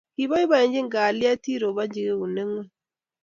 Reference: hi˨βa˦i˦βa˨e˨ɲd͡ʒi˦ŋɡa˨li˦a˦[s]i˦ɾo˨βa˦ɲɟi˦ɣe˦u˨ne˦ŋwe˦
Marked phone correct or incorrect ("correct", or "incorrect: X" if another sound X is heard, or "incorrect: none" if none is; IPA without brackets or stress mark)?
incorrect: t